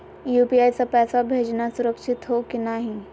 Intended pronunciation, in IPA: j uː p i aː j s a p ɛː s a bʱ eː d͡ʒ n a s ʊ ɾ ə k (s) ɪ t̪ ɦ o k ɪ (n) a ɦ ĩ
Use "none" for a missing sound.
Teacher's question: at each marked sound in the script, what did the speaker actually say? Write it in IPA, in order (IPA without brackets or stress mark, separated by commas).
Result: ʃ, n